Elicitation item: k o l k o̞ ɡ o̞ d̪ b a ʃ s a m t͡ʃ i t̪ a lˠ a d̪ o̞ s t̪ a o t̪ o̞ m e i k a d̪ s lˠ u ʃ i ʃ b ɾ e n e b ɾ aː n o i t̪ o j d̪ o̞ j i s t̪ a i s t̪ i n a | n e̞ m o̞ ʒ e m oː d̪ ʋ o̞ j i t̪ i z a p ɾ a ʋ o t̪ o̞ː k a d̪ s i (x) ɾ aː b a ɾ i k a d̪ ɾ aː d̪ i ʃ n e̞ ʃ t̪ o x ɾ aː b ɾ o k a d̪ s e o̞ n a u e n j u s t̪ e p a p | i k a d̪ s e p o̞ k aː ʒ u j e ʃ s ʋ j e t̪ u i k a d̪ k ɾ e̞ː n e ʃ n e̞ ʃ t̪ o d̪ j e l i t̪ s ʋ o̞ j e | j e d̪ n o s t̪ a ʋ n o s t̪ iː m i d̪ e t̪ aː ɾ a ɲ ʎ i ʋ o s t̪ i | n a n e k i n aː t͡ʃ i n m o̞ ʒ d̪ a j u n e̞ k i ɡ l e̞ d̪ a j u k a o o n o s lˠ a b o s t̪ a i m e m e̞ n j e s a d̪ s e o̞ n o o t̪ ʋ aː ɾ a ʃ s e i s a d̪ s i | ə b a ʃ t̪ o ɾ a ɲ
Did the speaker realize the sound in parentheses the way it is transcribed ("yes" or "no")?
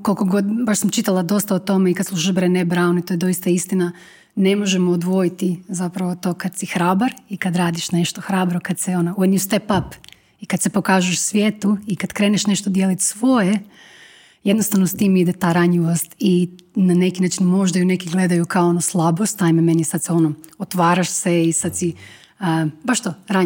yes